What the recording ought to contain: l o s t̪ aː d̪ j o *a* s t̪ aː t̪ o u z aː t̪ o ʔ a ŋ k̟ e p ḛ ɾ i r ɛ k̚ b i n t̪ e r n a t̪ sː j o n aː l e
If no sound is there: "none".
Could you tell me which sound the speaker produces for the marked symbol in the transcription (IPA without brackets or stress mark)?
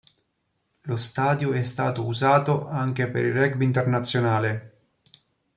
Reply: ɛ